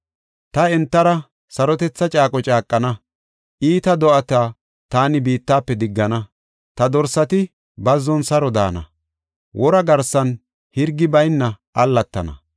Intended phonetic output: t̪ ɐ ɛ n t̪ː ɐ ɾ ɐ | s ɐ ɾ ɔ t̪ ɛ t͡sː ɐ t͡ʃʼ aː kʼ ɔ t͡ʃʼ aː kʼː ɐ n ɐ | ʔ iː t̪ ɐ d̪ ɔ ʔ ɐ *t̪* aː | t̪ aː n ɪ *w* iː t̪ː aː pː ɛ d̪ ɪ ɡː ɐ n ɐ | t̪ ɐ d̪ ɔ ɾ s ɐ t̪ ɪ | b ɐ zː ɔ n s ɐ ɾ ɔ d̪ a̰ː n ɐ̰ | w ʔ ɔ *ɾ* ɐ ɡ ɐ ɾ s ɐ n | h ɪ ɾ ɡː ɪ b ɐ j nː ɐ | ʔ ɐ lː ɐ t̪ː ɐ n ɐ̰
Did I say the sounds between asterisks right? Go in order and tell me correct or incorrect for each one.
correct, incorrect, correct

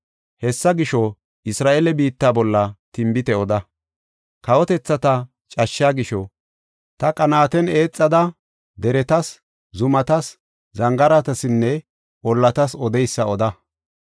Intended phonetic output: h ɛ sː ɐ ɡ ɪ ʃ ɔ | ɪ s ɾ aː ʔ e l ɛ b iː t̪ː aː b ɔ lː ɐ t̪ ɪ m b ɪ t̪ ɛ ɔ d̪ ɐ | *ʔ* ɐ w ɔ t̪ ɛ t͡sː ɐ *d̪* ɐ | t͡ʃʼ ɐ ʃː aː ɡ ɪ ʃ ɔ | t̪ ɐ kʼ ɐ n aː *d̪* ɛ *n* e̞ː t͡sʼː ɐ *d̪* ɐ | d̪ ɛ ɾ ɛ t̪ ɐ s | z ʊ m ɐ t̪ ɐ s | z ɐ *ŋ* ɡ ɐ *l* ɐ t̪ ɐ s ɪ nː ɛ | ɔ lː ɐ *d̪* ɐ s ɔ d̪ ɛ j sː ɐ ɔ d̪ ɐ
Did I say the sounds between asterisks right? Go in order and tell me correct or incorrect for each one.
incorrect, incorrect, incorrect, correct, correct, correct, incorrect, incorrect

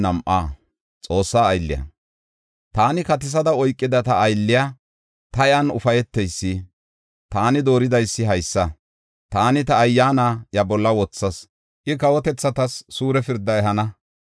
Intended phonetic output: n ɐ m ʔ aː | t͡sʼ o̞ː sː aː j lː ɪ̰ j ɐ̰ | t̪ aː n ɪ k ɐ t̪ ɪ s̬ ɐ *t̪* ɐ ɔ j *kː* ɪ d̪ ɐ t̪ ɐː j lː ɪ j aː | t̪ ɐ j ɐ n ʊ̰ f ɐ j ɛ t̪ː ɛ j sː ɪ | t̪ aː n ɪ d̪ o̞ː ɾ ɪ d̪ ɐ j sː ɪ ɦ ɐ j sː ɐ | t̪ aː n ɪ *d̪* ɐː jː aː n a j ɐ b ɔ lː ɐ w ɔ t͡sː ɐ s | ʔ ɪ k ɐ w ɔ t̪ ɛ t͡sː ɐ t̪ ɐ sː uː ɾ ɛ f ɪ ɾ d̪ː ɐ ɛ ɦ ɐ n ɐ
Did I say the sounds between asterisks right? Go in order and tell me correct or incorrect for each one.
incorrect, incorrect, incorrect

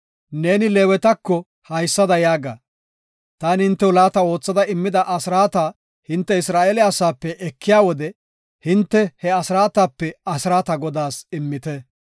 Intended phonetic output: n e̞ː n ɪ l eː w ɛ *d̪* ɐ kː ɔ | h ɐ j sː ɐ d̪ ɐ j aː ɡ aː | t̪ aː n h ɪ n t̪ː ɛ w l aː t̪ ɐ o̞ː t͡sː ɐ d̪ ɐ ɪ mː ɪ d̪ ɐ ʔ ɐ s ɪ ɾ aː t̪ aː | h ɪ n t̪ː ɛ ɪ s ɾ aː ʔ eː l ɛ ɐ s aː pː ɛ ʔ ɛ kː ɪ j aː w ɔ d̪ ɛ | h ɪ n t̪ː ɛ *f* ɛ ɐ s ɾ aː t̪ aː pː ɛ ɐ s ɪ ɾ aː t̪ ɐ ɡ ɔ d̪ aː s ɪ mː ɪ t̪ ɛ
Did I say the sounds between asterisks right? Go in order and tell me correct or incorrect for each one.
incorrect, incorrect

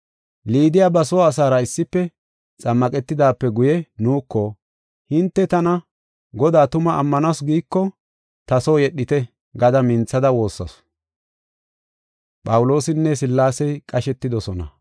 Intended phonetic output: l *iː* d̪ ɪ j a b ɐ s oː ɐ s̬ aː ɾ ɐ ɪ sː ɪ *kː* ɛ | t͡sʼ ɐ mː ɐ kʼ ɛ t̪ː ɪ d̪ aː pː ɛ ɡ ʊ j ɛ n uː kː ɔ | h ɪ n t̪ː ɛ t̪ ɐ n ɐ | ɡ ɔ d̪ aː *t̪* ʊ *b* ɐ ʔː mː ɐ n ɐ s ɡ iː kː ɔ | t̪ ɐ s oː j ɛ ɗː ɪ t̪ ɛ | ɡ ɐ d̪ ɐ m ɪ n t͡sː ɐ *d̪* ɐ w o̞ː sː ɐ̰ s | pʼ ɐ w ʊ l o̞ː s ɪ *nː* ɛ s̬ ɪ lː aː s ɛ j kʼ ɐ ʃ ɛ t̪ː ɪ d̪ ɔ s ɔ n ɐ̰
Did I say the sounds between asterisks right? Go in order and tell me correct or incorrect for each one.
correct, incorrect, correct, incorrect, correct, correct

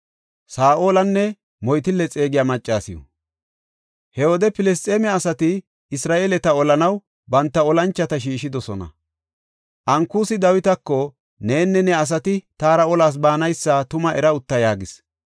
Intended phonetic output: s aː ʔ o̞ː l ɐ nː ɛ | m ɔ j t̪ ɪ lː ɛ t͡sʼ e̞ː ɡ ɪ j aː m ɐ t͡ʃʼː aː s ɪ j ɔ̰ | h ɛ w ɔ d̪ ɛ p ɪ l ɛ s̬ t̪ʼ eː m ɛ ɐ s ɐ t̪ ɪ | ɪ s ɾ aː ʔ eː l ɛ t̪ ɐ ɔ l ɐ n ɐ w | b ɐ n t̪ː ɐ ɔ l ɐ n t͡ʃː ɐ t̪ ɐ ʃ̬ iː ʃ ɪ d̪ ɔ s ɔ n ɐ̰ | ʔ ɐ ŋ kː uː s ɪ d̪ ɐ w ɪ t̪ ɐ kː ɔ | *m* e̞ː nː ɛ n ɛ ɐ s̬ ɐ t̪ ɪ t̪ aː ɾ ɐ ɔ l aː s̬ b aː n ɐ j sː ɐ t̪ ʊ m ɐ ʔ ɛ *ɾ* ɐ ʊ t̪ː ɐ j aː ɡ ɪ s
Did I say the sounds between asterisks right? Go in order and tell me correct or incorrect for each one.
incorrect, correct

